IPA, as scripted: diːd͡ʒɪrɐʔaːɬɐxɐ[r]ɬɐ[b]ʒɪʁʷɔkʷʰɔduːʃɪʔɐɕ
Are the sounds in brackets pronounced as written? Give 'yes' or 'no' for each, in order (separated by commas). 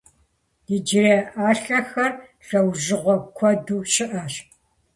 yes, no